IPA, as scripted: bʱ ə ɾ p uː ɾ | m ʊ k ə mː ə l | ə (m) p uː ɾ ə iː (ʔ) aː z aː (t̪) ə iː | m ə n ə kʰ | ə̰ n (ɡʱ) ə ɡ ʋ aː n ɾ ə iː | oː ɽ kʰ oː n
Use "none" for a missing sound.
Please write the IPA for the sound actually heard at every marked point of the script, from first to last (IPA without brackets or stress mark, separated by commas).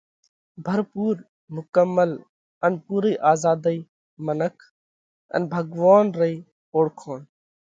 n, ʔ, d̪, bʱ